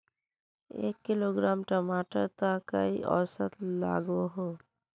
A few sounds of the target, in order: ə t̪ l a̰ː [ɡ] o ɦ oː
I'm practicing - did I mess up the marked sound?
no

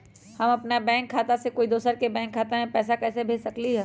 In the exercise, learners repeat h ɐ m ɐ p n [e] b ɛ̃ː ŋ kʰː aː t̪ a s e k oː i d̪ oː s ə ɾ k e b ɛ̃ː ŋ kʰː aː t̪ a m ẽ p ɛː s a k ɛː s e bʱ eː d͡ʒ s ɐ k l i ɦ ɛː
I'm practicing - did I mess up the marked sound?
yes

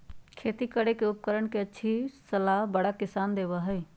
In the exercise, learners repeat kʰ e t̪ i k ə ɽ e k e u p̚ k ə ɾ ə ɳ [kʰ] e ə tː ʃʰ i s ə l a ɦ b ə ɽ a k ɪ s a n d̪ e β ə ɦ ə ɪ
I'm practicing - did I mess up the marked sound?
yes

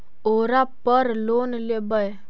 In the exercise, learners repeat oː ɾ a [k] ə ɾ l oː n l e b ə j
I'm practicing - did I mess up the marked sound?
yes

